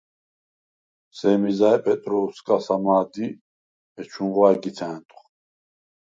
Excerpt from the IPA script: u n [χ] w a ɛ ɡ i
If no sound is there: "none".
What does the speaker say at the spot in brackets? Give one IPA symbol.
ʁ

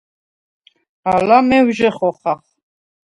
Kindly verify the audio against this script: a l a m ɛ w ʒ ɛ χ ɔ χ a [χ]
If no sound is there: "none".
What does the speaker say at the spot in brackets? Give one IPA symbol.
χ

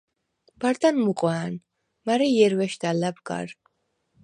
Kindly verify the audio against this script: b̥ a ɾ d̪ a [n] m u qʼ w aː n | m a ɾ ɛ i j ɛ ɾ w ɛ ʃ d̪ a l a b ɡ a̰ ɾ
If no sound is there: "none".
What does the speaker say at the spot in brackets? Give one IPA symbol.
n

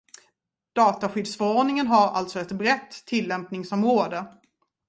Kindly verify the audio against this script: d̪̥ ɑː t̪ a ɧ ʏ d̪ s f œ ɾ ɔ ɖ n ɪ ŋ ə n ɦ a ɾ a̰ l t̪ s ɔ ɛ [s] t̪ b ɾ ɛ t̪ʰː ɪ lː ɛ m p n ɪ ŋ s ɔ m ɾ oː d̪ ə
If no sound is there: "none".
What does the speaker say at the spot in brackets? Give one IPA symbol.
none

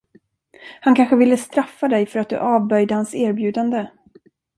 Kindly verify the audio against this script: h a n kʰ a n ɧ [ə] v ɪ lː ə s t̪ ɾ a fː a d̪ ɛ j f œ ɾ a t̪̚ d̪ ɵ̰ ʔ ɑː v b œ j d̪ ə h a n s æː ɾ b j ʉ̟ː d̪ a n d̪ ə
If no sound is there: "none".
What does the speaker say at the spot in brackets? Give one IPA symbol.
ə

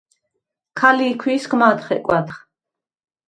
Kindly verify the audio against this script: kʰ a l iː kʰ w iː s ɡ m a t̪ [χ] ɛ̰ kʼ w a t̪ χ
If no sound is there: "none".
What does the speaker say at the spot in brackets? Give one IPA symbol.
χ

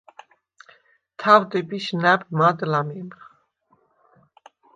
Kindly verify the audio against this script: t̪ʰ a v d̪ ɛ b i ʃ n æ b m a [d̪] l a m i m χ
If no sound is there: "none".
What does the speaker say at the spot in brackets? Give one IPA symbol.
d̪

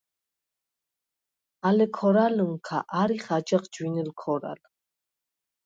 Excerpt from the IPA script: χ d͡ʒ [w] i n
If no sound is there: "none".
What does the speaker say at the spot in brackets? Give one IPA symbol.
w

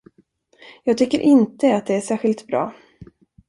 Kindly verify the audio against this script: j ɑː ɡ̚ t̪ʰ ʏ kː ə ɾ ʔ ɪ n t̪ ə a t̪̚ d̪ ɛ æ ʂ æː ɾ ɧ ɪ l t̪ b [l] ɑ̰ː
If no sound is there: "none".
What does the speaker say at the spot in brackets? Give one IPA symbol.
ɾ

